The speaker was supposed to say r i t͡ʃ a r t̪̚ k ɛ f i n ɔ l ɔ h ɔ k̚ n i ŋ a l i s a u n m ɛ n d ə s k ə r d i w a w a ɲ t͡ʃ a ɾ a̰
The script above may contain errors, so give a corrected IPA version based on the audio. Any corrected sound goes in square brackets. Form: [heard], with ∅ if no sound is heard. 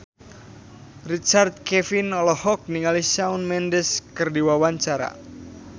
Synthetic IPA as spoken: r i t͡ʃ a r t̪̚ k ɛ f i n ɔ l ɔ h ɔ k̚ n i ŋ a l i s a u n m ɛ n d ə s k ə r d i w a w a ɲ t͡ʃ a ɾ a̰